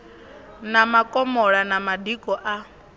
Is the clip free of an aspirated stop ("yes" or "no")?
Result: yes